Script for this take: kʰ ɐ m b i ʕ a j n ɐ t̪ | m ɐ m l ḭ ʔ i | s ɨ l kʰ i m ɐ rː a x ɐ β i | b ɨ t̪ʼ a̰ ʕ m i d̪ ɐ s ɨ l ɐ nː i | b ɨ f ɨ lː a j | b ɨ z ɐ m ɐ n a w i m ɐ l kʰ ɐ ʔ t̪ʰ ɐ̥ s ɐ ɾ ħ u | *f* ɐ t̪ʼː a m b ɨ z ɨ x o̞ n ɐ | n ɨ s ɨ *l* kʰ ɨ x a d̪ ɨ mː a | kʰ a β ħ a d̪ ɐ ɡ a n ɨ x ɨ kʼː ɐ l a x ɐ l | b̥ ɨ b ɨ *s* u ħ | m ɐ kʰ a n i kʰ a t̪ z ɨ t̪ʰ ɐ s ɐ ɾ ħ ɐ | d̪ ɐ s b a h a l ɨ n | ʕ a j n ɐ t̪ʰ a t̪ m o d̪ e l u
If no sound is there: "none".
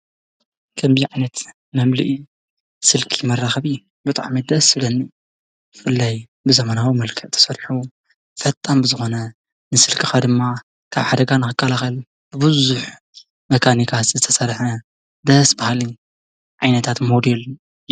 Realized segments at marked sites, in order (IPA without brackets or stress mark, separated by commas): f, l, z